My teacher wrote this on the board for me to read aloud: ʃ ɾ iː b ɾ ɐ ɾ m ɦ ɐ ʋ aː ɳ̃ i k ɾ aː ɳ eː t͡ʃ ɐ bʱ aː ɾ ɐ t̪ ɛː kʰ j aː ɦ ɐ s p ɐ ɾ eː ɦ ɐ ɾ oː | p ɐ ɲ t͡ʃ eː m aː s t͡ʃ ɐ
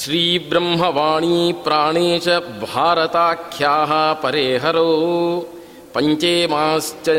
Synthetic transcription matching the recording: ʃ ɾ iː b ɾ ɐ m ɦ ɐ ʋ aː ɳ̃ i p ɾ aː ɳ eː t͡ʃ ɐ bʱ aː ɾ ɐ t̪ aː kʰ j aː ɦ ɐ p ɐ ɾ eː ɦ ɐ ɾ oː | p ɐ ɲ t͡ʃ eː m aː s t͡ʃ ɐ